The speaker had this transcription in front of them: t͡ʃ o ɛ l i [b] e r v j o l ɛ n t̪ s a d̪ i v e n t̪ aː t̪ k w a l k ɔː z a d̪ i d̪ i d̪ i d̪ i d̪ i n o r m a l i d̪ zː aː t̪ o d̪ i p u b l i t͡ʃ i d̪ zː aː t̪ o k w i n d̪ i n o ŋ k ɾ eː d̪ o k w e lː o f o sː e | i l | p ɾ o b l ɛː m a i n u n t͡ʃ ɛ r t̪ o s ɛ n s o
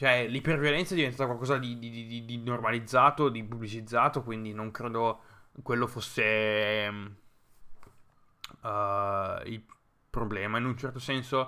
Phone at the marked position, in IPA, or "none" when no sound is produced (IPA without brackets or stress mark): p